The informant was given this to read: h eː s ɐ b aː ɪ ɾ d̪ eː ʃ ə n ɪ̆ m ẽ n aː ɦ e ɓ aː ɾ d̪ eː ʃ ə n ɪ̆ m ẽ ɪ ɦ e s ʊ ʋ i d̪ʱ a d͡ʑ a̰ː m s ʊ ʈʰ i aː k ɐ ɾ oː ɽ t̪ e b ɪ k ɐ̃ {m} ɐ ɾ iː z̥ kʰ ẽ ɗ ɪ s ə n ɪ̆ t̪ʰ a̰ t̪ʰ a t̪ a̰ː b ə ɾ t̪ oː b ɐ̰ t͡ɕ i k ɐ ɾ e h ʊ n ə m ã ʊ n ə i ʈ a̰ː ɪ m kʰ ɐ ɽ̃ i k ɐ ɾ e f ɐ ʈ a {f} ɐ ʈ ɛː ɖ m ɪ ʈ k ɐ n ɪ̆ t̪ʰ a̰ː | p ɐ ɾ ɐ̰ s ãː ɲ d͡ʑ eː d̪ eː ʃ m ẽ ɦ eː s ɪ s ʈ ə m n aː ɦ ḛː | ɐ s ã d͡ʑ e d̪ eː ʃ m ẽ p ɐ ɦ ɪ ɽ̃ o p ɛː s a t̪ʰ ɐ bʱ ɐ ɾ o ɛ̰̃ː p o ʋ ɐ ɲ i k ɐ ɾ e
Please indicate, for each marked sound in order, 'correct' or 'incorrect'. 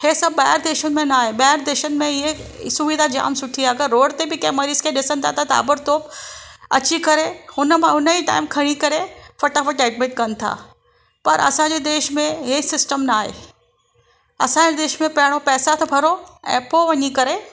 correct, correct

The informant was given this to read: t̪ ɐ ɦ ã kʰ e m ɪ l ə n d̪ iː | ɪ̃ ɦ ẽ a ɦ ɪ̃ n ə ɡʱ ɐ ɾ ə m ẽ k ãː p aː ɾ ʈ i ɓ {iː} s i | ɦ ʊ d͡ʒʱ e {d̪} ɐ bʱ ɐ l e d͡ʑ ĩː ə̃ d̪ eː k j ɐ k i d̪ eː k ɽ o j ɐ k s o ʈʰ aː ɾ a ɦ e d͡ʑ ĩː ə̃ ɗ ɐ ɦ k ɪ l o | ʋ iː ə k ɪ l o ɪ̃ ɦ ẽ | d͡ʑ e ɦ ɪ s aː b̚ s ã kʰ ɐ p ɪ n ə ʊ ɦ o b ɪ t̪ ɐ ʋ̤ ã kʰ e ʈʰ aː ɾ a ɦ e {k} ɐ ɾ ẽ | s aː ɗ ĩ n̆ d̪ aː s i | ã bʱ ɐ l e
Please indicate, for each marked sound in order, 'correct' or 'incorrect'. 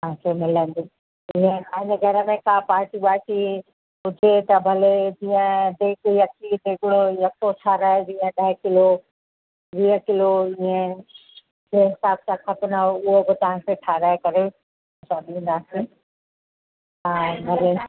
incorrect: aː, incorrect: t̪, correct

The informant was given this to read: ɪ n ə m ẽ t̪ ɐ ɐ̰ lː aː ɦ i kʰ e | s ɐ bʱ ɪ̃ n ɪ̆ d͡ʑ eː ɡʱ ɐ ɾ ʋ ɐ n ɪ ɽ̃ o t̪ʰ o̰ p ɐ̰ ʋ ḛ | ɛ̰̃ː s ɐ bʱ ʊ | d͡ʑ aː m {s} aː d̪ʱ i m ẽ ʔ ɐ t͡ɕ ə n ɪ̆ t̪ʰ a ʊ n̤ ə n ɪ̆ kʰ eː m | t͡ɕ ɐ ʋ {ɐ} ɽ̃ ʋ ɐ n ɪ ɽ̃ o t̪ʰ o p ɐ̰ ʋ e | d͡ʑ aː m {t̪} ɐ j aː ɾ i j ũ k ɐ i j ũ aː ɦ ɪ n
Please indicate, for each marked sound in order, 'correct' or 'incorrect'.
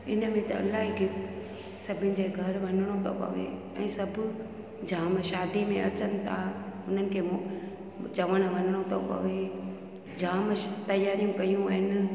incorrect: ʃ, incorrect: ə, correct

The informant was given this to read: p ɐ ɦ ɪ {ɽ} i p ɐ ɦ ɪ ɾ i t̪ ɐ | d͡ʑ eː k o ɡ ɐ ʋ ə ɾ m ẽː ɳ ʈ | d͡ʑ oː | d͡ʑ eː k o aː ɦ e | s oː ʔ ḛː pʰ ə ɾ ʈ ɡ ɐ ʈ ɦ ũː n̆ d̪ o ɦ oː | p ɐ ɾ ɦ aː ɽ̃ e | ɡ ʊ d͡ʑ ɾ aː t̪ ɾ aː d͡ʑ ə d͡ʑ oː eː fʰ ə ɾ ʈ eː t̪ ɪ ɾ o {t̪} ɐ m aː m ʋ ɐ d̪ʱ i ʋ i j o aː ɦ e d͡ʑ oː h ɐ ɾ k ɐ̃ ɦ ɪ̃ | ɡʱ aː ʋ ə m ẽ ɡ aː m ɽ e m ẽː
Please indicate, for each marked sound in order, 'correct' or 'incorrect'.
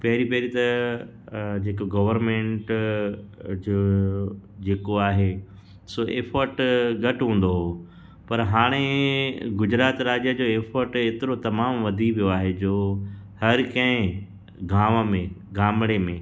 incorrect: ɾ, correct

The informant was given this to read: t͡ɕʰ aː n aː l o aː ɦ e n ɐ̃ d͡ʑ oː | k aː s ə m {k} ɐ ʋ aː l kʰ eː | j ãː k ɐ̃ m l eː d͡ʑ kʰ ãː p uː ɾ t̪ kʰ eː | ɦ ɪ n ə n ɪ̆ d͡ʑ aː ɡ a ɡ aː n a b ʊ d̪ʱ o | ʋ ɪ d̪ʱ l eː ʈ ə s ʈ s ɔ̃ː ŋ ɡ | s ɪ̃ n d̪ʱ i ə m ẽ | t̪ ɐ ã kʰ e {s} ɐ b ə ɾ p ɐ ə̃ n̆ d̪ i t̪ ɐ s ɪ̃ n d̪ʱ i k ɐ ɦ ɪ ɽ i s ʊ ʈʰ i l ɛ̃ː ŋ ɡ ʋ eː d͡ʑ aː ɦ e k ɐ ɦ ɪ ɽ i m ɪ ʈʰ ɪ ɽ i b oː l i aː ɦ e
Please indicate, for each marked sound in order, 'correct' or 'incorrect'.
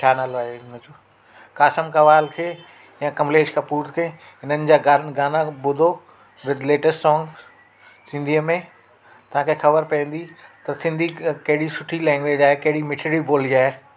correct, incorrect: x

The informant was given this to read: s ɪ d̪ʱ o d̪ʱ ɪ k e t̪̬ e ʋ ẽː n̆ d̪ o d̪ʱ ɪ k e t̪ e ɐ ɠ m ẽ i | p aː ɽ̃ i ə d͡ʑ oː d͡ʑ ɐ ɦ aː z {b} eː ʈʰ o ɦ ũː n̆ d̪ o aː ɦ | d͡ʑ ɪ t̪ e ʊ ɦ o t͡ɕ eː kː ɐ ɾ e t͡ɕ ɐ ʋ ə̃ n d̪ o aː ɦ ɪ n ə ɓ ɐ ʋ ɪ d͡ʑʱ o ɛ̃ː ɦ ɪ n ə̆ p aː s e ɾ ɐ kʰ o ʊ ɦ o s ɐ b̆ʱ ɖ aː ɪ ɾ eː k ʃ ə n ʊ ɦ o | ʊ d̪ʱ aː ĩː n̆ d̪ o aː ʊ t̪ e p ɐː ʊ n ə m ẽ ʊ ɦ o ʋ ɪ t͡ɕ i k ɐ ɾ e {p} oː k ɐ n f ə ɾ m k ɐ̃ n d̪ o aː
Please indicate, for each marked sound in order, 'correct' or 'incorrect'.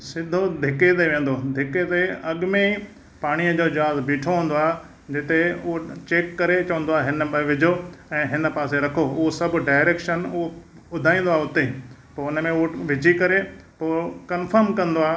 correct, correct

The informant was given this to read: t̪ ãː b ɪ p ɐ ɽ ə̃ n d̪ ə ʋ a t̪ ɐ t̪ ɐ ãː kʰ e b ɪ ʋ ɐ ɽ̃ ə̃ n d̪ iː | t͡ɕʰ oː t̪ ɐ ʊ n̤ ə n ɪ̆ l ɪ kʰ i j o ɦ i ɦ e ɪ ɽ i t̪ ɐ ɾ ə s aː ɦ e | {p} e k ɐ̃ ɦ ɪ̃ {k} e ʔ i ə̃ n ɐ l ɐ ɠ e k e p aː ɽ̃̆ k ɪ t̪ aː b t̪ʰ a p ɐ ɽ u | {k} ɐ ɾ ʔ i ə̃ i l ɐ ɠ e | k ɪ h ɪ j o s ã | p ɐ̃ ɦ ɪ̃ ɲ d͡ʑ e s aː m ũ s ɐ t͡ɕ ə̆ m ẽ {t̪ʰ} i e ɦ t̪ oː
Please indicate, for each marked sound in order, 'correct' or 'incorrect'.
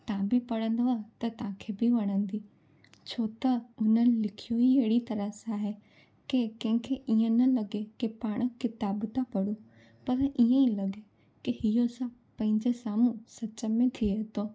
incorrect: k, incorrect: kʰ, incorrect: p, correct

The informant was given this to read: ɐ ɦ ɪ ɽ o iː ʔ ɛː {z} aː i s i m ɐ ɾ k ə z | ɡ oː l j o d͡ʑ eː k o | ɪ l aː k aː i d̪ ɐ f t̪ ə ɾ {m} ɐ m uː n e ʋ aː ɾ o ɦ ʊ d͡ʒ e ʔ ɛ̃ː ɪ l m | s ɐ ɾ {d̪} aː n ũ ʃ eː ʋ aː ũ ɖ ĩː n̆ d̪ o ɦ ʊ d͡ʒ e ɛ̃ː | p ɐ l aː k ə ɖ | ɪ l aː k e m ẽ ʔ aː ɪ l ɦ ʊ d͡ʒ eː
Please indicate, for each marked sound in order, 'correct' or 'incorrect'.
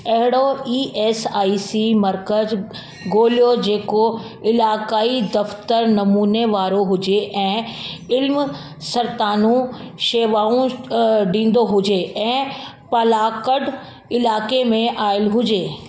incorrect: s, incorrect: n, incorrect: t̪

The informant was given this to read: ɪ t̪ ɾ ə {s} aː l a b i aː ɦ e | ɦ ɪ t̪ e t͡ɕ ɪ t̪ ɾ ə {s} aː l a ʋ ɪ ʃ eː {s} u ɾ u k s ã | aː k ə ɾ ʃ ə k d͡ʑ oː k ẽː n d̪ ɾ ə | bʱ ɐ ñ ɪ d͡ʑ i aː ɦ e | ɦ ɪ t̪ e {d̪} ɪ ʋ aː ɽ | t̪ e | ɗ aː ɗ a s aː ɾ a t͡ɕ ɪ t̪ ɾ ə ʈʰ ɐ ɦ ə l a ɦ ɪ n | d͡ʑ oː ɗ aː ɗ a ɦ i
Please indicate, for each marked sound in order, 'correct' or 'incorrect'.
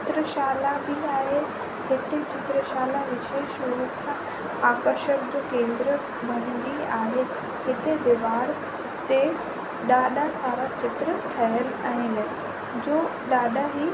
incorrect: ʃ, incorrect: ʃ, incorrect: ʃ, correct

